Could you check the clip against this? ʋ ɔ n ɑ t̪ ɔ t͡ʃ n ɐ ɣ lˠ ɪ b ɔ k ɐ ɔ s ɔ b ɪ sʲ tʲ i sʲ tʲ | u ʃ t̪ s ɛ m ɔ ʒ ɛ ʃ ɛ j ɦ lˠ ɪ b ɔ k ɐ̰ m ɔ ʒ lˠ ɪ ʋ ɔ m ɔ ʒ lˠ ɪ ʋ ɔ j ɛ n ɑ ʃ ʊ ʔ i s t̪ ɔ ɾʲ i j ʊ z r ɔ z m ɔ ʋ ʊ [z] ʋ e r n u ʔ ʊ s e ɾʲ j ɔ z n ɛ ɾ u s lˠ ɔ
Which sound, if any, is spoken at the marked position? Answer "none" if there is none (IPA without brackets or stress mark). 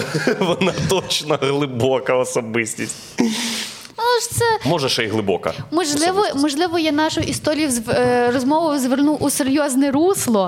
z